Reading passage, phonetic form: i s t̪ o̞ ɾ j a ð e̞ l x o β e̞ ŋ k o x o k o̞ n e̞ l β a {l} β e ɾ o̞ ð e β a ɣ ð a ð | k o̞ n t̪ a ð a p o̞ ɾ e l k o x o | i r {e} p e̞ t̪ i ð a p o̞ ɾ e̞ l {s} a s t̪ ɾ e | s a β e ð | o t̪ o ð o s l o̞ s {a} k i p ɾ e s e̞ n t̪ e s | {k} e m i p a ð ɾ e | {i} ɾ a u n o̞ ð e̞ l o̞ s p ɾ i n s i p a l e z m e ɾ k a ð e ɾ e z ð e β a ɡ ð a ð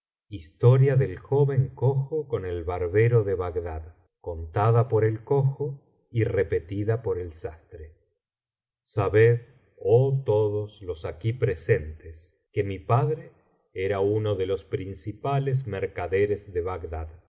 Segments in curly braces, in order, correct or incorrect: incorrect: ɾ, correct, correct, correct, correct, incorrect: e

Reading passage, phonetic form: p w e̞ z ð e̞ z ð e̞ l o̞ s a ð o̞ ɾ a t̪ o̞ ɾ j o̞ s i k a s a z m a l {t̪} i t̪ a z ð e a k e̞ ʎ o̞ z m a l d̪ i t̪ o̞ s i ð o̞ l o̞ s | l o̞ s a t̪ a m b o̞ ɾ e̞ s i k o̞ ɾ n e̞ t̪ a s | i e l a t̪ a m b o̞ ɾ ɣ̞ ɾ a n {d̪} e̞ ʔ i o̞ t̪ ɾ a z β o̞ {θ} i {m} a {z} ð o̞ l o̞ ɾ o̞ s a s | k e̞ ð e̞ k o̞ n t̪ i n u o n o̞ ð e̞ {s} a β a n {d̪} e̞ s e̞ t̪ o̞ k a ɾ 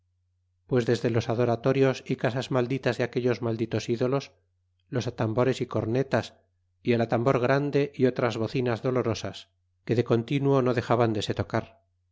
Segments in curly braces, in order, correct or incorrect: incorrect: d̪, correct, correct, incorrect: n, correct, incorrect: x, correct

